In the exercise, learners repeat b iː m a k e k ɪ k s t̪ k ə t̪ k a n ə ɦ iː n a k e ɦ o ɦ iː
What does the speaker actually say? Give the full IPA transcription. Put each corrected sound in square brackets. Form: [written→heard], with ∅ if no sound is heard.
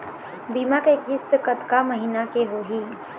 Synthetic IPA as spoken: b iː m a k e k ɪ [k→∅] s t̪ k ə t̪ k a [n→m] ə ɦ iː n a k e ɦ o ɦ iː

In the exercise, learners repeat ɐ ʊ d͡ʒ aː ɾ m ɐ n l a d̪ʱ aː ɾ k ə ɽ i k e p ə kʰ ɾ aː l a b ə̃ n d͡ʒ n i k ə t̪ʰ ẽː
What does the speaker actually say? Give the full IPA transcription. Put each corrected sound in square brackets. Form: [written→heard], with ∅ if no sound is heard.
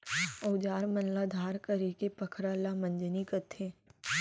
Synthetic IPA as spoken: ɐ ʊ d͡ʒ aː ɾ m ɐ n l a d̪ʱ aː ɾ k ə [ɽ→ɾ] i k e p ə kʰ ɾ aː l a [b→m] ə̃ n d͡ʒ n i k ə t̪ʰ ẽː

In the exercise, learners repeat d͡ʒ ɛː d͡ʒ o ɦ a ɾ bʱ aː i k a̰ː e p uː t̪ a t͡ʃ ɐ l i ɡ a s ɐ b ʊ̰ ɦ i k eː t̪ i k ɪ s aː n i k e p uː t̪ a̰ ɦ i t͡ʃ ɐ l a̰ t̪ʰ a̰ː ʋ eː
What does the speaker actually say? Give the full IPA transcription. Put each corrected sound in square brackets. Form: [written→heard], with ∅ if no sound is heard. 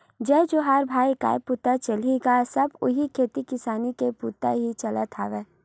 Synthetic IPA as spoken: d͡ʒ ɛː d͡ʒ o ɦ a ɾ bʱ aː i k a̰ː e p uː t̪ a t͡ʃ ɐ l i ɡ a s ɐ b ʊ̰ ɦ i [k→kʰ] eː t̪ i k ɪ s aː n i k e p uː t̪ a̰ ɦ i t͡ʃ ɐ l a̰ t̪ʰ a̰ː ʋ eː

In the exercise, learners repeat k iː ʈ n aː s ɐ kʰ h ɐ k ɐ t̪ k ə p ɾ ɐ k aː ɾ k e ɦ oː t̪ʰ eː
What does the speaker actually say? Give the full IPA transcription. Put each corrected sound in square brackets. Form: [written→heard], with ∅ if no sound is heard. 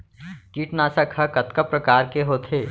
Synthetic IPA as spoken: k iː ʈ n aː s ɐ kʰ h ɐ k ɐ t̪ k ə p ɾ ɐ k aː ɾ k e ɦ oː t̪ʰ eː

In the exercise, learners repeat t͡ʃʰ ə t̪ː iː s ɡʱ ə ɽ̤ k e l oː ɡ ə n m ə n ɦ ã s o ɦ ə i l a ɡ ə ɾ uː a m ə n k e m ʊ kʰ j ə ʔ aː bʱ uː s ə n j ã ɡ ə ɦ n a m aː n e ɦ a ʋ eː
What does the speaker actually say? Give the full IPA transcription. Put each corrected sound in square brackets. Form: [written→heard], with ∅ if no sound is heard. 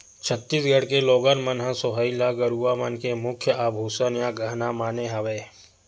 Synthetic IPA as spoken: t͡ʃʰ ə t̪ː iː s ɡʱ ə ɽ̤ k e l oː ɡ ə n m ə n ɦ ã s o ɦ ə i l a ɡ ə ɾ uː a m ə n k e m ʊ kʰ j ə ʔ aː bʱ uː s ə n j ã ɡ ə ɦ n a m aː n e ɦ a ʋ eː

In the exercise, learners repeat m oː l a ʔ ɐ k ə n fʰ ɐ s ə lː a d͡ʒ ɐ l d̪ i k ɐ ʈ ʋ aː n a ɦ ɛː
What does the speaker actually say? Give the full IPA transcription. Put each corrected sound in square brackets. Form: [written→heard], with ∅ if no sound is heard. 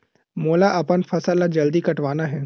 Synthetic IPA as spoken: m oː l a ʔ ɐ [k→p] ə n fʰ ɐ s ə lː a d͡ʒ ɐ l d̪ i k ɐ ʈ ʋ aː n a ɦ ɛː

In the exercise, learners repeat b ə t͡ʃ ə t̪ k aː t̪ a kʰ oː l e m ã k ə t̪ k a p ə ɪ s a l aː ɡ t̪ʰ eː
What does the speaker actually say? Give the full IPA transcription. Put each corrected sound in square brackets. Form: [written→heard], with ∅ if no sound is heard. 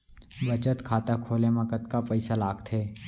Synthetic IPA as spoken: b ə t͡ʃ ə t̪ [k→kʰ] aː t̪ a kʰ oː l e m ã k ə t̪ k a p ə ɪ s a l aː ɡ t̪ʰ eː

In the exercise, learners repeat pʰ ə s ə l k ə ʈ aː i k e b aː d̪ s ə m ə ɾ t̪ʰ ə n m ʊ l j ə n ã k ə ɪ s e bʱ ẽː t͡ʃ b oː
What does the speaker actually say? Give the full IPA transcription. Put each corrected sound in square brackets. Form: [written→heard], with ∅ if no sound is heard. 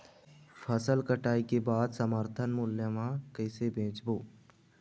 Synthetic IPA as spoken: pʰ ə s ə l k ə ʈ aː i k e b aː d̪ s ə m ə ɾ t̪ʰ ə n m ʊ l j ə [n→m] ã k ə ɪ s e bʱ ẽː t͡ʃ b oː

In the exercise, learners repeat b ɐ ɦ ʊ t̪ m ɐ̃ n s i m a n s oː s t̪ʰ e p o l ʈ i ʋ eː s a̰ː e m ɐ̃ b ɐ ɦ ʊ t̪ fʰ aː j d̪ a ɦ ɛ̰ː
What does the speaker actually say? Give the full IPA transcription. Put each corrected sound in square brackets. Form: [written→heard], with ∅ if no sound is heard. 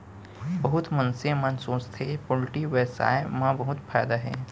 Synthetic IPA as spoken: b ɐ ɦ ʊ t̪ m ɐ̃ n s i m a n s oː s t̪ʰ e p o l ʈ i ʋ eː s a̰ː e m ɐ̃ b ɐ ɦ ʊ t̪ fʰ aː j d̪ a ɦ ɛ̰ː

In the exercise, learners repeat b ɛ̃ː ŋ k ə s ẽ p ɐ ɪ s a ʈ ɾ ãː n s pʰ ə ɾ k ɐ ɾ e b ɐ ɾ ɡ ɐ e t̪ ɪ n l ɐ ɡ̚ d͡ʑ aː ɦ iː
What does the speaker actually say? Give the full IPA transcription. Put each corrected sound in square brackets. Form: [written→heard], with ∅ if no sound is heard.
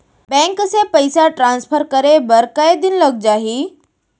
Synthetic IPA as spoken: b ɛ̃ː ŋ k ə s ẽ p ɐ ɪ s a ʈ ɾ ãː n s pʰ ə ɾ k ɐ ɾ e b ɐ ɾ [ɡ→k] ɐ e [t̪→d̪] ɪ n l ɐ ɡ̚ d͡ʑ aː ɦ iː

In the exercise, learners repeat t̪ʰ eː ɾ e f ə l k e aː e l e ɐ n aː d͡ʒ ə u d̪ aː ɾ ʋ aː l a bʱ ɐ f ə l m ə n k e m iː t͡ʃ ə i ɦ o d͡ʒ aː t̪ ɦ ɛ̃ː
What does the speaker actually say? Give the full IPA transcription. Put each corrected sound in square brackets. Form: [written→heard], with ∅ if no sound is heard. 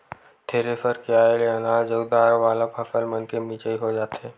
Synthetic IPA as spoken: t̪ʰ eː ɾ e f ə [l→ɾ] k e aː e l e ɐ n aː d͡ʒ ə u d̪ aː ɾ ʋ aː l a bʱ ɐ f ə l m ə n k e m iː t͡ʃ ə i ɦ o d͡ʒ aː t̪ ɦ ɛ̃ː

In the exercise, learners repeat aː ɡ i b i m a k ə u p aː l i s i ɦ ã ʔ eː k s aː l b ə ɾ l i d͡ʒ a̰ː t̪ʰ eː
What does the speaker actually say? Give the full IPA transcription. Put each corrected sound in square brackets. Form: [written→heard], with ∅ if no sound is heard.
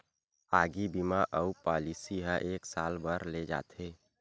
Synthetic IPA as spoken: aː ɡ i b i m a [k→ʔ] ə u p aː l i s i ɦ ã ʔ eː k s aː l b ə ɾ l [i→e] d͡ʒ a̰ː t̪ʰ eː

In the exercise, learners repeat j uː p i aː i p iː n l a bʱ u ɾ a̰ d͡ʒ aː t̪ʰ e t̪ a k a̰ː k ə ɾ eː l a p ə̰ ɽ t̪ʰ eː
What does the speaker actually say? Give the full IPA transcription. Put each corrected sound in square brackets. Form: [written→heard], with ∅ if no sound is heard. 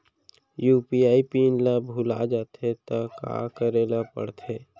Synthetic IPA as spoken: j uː p i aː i p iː n l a bʱ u [ɾ→l] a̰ d͡ʒ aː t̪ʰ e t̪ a k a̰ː k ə ɾ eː l a p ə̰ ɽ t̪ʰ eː

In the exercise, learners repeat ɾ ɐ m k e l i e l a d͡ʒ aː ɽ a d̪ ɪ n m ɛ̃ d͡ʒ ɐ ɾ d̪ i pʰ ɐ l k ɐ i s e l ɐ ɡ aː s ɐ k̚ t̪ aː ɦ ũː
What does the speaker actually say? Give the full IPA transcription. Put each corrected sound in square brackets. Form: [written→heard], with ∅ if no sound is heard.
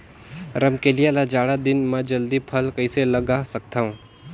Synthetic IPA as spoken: ɾ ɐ m k e l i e l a d͡ʒ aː ɽ a d̪ ɪ n m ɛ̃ d͡ʒ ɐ [ɾ→l] d̪ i pʰ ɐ l k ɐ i s e l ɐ ɡ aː s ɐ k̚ t̪ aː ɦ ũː

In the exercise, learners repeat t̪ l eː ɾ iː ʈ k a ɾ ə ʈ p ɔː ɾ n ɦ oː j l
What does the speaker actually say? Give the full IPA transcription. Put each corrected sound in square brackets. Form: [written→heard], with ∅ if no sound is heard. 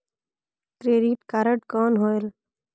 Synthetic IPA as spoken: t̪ [l→ɾ] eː ɾ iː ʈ k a ɾ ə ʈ [p→k] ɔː [ɾ→∅] n ɦ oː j l

